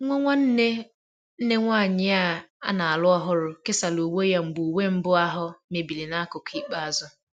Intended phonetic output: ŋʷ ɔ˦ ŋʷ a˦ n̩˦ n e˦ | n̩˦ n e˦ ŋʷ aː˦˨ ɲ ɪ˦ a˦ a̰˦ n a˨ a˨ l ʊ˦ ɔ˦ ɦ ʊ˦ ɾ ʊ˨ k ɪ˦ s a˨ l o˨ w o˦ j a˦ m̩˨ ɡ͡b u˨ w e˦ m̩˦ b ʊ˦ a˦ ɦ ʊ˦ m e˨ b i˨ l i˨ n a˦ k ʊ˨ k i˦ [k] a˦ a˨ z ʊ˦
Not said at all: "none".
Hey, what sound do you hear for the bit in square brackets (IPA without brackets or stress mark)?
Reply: k͡p